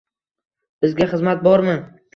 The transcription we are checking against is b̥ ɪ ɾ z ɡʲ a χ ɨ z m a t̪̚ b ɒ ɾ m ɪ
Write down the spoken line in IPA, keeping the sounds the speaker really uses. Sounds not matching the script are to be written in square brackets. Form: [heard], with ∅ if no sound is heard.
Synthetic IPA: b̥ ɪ [∅] z ɡʲ a χ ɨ z m a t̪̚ b ɒ ɾ m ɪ